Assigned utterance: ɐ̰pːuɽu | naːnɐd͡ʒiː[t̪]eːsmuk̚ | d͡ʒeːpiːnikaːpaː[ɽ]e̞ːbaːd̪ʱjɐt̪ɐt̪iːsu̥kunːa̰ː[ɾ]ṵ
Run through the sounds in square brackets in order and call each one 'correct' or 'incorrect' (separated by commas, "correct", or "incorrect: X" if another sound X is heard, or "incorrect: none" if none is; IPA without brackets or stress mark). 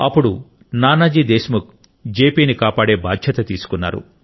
incorrect: d̪, correct, correct